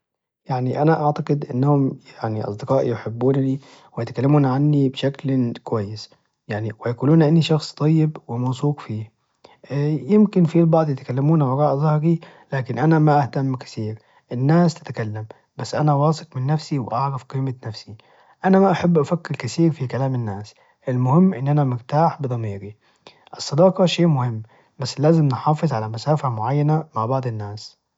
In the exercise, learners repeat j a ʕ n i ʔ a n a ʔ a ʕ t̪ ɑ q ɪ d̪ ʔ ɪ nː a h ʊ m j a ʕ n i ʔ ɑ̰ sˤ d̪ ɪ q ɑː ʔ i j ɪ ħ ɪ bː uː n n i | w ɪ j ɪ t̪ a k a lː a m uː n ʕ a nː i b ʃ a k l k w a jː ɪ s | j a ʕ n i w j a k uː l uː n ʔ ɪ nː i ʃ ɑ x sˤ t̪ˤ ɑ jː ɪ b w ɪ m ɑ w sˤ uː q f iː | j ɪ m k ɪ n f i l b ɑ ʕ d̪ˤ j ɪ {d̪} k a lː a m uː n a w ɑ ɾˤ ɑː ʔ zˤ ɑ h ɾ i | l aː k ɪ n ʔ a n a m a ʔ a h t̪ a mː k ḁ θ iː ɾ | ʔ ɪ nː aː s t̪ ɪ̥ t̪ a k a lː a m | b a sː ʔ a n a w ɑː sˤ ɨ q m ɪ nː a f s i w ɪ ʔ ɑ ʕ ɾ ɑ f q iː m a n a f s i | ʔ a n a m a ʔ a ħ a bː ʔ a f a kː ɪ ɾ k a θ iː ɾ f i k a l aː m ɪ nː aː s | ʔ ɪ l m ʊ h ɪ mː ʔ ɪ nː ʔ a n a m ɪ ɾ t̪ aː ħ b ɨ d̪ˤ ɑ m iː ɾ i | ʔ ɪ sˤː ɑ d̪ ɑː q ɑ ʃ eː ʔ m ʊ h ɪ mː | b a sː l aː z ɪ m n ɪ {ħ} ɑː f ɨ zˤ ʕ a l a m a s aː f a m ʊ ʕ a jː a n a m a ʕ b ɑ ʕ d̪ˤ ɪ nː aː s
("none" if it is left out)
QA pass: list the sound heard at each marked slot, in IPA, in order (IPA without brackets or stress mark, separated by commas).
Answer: t̪, ħ